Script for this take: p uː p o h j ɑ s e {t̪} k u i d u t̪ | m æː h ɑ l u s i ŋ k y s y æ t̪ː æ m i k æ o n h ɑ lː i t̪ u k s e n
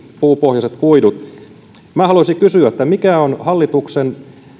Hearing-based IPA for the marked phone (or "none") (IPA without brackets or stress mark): t̪